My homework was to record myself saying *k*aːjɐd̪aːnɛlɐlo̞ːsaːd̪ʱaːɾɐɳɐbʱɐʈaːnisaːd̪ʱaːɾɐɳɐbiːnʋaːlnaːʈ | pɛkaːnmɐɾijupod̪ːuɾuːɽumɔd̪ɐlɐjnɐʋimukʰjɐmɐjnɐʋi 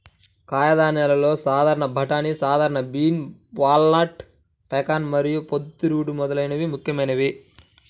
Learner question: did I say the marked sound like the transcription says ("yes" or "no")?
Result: yes